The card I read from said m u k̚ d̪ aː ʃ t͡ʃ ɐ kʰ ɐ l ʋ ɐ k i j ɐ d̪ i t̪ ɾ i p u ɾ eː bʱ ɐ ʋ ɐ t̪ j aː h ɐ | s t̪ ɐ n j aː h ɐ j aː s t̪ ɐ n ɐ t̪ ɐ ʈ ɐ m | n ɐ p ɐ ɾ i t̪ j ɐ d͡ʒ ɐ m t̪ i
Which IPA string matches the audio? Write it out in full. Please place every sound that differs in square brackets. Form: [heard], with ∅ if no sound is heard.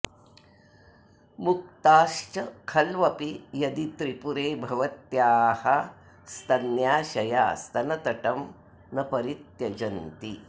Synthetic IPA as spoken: m u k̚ [t̪] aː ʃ t͡ʃ ɐ kʰ ɐ l ʋ ɐ [p] i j ɐ d̪ i t̪ ɾ i p u ɾ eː bʱ ɐ ʋ ɐ t̪ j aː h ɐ | s t̪ ɐ n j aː [ʃ] ɐ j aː s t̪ ɐ n ɐ t̪ ɐ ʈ ɐ m | n ɐ p ɐ ɾ i t̪ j ɐ d͡ʒ ɐ [n] t̪ i